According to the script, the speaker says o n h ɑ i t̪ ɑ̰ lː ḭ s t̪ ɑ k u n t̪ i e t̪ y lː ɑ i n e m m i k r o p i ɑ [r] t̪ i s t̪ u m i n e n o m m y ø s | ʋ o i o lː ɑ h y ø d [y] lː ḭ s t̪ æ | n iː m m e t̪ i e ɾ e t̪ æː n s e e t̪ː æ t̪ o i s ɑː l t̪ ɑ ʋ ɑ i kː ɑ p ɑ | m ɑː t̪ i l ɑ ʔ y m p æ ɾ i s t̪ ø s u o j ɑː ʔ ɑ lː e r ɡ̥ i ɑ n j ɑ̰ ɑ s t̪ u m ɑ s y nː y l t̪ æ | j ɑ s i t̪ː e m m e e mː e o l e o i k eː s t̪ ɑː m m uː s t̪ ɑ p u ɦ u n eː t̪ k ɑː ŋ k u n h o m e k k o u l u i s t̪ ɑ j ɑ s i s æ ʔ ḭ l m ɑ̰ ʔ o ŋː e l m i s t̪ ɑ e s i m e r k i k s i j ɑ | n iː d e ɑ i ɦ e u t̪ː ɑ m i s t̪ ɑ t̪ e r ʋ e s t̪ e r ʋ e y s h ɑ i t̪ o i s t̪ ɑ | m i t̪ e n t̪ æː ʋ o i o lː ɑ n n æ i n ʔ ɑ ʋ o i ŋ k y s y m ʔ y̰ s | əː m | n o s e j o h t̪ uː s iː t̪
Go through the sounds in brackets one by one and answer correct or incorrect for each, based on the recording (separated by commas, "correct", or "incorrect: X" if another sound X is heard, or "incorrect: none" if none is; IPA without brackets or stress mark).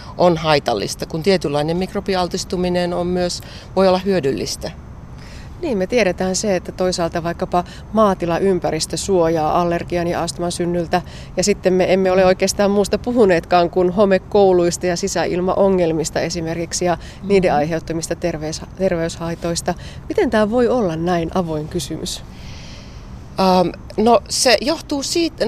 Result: incorrect: l, correct